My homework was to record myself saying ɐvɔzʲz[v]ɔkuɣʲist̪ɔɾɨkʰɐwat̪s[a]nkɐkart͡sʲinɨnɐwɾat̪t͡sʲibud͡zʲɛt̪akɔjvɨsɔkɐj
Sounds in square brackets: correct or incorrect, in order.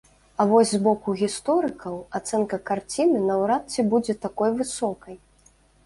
incorrect, incorrect

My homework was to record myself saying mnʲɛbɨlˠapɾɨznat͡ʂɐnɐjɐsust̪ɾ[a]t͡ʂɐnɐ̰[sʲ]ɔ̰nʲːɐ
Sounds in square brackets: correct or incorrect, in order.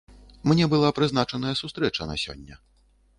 incorrect, correct

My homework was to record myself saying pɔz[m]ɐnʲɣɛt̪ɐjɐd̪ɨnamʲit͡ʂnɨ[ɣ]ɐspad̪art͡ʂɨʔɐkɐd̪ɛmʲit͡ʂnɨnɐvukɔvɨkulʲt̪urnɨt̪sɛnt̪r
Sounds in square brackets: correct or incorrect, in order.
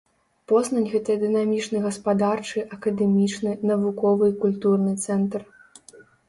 incorrect, correct

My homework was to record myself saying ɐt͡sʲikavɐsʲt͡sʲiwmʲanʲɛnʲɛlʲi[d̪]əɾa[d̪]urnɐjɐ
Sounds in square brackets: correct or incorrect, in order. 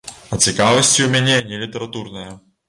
incorrect, incorrect

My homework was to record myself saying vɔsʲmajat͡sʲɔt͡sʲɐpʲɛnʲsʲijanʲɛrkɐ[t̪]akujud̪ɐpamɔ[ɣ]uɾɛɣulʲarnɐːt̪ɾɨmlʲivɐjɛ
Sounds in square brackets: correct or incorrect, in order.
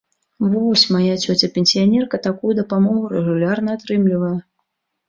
correct, correct

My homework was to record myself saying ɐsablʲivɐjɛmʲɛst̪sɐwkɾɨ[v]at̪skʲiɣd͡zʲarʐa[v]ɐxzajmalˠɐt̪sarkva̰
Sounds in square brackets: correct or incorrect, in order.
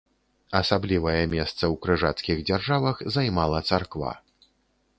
incorrect, correct

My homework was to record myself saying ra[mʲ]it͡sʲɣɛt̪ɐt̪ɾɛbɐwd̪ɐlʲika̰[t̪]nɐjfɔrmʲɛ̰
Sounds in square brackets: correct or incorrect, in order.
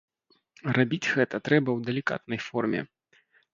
incorrect, correct

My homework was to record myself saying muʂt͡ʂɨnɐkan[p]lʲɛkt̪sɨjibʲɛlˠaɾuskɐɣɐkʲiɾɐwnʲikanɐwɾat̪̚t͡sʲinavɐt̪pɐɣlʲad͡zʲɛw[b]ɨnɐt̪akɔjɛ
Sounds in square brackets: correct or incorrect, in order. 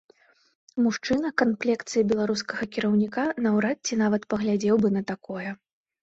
correct, correct

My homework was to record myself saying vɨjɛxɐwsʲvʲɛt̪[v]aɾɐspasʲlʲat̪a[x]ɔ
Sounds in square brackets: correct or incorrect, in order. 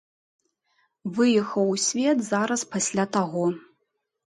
incorrect, incorrect

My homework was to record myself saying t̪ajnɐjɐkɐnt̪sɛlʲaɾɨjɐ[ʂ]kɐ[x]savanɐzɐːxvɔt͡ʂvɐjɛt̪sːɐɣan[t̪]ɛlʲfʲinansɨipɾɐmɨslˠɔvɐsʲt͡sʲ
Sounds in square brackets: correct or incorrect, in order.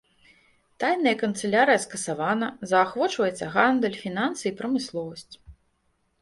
incorrect, incorrect, incorrect

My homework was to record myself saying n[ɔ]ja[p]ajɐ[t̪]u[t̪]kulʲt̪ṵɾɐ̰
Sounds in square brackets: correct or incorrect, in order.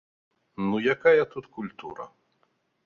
incorrect, incorrect, correct, correct

